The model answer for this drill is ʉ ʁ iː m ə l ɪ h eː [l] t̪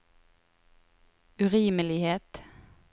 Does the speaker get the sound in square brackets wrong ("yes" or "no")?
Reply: yes